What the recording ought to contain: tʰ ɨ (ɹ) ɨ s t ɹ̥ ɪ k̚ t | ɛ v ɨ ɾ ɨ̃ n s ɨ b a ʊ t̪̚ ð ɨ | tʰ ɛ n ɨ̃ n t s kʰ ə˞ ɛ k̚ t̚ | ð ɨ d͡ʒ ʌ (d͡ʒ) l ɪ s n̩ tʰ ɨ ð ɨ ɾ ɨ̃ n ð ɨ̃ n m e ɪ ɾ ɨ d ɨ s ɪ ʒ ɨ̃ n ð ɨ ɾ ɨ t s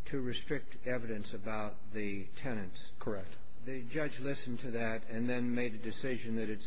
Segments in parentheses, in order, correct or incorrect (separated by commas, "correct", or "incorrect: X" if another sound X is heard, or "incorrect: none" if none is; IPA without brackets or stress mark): correct, correct